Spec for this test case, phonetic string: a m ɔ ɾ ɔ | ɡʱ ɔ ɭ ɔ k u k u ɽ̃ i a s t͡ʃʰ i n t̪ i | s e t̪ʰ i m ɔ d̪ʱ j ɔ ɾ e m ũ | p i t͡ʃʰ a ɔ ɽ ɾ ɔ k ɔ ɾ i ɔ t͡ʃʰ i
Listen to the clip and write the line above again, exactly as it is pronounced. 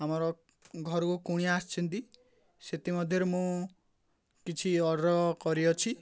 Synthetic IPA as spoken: a m ɔ ɾ ɔ | ɡʱ ɔ ɾ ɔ k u k u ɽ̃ i a s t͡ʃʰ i n t̪ i | s e t̪ i m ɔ d̪ʱ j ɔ ɾ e m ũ | k i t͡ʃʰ i ɔ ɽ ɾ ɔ k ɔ ɾ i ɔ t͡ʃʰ i